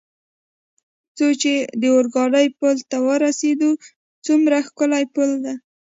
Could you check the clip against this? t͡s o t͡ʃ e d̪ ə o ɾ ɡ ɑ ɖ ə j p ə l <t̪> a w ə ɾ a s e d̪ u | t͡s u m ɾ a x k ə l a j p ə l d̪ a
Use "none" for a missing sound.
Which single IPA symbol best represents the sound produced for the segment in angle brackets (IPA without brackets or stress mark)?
t̪